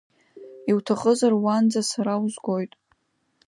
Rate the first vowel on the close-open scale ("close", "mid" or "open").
close